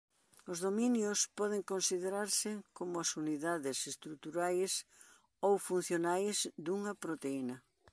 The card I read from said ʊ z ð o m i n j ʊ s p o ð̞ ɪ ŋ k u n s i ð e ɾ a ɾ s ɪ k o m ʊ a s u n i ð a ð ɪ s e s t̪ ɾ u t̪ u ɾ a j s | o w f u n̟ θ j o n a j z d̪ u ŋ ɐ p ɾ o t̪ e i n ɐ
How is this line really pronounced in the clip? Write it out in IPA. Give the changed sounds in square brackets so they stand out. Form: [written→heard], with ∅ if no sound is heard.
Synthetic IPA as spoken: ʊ z ð o m i n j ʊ s p [o→ɔ] ð̞ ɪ ŋ k [u→o] n s i ð e ɾ a ɾ s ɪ k o m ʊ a s u n i ð a ð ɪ s e s t̪ ɾ u t̪ u ɾ a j s | o w f u n̟ θ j o n a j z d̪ u ŋ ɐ p ɾ o t̪ e i n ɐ